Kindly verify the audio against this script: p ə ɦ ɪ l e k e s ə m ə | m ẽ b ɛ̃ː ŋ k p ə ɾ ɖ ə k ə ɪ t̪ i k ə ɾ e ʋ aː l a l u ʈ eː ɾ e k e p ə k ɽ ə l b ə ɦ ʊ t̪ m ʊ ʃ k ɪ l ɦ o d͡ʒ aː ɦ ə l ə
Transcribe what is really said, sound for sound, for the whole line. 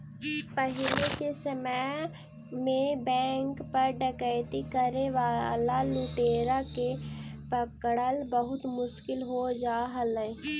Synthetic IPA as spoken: p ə ɦ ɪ l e k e s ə m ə | m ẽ b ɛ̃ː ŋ k p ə ɾ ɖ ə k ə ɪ t̪ i k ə ɾ e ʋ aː l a l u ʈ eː ɾ a k e p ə k ɽ ə l b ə ɦ ʊ t̪ m ʊ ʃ k ɪ l ɦ o d͡ʒ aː ɦ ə l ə